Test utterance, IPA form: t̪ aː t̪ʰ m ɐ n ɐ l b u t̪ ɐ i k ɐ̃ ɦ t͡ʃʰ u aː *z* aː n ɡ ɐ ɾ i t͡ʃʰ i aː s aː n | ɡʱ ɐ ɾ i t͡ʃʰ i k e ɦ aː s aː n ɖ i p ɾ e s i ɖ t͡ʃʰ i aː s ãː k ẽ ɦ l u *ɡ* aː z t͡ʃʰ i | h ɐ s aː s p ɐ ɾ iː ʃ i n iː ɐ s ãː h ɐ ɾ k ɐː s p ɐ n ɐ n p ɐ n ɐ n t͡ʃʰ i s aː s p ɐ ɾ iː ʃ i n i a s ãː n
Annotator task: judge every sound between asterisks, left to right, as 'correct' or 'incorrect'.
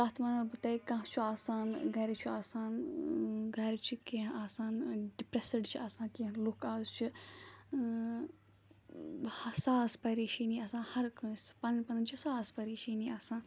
incorrect, incorrect

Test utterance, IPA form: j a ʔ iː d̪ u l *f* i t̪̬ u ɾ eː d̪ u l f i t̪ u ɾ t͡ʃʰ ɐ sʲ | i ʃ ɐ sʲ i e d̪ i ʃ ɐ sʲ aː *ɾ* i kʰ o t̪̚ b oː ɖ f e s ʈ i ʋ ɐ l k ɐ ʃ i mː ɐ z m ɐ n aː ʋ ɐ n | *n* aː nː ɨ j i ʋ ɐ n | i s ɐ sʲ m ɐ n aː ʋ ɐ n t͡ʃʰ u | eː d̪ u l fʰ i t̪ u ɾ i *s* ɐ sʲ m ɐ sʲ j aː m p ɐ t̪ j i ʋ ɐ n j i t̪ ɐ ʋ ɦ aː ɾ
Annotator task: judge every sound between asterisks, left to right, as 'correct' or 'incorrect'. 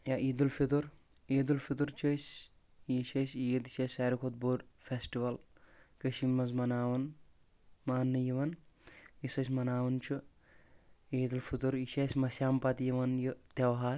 correct, correct, incorrect, incorrect

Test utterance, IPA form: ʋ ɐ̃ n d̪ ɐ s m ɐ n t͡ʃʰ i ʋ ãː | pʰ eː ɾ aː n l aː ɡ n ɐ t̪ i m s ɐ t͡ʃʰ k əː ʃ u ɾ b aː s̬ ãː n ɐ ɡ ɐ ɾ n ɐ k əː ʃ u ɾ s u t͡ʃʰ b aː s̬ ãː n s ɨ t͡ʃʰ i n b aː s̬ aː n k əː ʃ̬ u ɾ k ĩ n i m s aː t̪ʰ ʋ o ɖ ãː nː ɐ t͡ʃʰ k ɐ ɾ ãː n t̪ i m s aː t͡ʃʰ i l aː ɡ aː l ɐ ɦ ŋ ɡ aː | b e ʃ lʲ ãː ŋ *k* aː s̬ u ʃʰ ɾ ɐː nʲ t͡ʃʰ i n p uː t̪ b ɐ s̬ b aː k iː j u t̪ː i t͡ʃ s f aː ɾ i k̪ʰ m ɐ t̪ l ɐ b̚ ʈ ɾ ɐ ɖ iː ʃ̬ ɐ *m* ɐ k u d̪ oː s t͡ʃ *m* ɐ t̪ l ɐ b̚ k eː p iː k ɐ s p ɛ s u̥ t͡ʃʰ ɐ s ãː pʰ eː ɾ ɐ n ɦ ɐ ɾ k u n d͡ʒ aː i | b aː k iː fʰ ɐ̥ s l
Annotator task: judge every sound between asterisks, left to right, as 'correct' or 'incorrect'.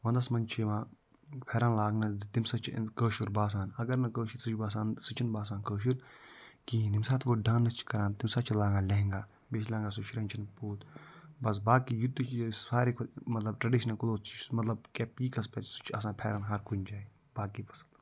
incorrect, incorrect, correct

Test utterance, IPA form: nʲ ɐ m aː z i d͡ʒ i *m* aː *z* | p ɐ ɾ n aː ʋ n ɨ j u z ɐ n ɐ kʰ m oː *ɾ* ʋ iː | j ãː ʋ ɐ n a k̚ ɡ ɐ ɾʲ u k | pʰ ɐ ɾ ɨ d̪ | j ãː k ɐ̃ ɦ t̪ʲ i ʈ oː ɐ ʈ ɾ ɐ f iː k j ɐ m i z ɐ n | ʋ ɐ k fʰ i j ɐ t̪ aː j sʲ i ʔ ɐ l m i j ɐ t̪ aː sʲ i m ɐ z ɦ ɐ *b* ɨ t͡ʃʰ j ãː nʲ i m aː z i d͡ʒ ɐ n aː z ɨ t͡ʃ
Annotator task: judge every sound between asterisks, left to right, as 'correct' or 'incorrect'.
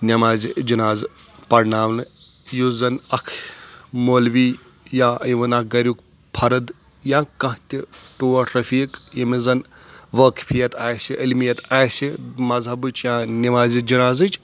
incorrect, correct, incorrect, correct

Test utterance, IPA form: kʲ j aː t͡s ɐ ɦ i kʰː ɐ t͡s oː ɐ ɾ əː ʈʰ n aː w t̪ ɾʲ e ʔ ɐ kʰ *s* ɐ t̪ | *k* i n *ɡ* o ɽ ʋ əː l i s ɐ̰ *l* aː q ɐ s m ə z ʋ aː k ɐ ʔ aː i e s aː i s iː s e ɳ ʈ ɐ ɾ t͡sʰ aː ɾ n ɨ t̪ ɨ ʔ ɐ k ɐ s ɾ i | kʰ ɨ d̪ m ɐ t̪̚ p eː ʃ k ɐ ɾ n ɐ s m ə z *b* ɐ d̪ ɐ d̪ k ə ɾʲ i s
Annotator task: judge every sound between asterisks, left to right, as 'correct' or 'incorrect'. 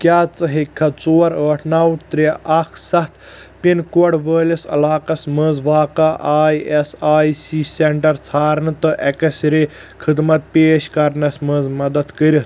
correct, incorrect, incorrect, correct, incorrect

